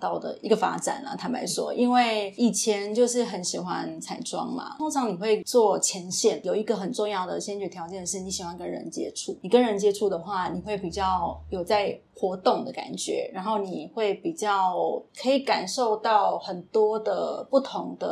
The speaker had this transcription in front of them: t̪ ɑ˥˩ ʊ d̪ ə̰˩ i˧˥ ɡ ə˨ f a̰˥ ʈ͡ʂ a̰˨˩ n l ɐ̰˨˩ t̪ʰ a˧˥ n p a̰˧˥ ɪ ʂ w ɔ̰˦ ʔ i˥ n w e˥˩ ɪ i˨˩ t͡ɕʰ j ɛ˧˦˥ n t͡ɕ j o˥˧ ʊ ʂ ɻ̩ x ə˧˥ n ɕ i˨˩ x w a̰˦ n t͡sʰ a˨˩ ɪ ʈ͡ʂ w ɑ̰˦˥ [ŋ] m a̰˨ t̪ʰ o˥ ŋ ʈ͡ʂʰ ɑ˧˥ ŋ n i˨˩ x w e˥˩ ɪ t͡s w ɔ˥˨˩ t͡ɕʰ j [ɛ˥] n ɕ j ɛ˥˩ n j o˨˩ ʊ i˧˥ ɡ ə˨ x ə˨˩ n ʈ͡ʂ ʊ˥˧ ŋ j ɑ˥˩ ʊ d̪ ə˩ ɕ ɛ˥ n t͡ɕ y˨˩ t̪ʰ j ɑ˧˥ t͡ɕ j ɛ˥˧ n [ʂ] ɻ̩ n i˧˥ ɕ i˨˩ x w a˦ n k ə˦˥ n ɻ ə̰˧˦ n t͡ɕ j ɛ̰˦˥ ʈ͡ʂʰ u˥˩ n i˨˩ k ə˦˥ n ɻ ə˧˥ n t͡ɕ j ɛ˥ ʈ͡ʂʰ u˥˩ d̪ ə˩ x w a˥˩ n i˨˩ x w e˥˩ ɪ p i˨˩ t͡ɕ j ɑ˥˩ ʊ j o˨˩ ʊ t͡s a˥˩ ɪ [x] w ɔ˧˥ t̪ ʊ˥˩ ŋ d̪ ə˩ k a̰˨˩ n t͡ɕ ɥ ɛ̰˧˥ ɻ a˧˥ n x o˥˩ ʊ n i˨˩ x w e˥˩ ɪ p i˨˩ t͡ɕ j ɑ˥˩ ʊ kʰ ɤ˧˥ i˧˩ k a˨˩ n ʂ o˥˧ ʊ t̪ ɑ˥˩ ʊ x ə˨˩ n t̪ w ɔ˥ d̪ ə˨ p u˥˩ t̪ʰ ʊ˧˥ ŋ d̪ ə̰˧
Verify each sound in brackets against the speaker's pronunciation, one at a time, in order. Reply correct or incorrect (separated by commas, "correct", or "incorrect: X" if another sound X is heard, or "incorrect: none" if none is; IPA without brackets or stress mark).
correct, incorrect: ɛ˧˥, correct, correct